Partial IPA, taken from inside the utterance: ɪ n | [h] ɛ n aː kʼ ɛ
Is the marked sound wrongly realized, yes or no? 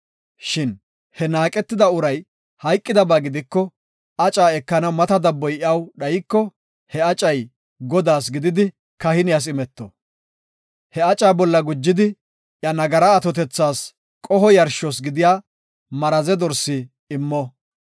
no